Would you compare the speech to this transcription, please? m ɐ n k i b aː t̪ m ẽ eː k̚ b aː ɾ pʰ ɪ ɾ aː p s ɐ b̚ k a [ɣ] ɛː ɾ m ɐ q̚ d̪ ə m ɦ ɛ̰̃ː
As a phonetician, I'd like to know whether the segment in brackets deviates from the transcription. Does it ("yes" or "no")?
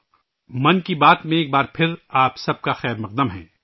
yes